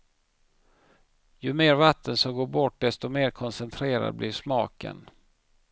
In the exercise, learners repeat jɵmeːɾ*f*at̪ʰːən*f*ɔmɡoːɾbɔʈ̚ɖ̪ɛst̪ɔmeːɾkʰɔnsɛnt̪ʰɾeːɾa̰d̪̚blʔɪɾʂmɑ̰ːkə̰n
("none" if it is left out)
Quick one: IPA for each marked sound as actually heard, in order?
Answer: v, s

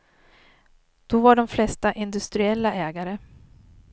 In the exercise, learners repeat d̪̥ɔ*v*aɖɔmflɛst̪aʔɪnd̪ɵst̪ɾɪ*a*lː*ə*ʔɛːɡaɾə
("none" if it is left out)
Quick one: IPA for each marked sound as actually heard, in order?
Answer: v, ɛ, a

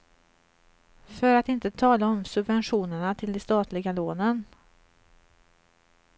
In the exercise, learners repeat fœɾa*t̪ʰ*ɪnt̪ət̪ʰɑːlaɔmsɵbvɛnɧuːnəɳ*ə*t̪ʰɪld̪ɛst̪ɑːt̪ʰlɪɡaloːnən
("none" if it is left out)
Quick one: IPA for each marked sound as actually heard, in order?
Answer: t̪, a

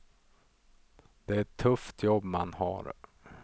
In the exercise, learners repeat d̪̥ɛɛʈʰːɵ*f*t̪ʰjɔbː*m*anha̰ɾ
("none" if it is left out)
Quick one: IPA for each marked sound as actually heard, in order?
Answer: f, m

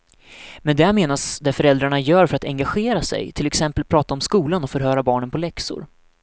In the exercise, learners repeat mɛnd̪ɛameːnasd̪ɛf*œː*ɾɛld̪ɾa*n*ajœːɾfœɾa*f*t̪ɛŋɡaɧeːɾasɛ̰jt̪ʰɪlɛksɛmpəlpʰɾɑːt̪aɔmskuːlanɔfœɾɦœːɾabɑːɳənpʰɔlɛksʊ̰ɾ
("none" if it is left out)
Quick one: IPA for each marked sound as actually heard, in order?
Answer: œ, ɳ, none

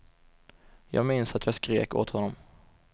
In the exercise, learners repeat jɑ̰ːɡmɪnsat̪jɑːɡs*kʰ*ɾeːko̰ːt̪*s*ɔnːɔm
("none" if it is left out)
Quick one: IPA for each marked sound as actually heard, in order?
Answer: k, h

